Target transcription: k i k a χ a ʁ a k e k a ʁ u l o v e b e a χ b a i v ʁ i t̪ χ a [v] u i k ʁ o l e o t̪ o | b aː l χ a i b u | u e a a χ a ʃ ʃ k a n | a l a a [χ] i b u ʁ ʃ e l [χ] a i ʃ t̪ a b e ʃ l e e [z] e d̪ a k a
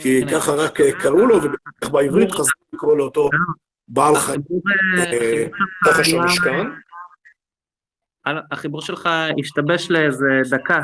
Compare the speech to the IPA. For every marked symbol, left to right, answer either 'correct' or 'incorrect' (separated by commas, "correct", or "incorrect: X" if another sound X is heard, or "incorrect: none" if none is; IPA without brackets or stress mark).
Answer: incorrect: z, correct, correct, correct